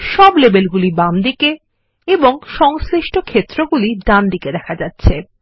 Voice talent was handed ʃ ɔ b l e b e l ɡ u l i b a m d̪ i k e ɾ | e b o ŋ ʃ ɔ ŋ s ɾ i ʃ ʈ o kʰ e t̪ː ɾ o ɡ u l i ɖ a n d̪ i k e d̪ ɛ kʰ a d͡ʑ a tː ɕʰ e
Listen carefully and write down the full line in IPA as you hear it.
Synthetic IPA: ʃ ɔ b l e b e l ɡ u l i b a m d̪ i k e | e b o ŋ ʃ ɔ ŋ s ɾ i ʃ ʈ o kʰ e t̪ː ɾ o ɡ u l i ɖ a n d̪ i k e d̪ ɛ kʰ a d͡ʑ a tː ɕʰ e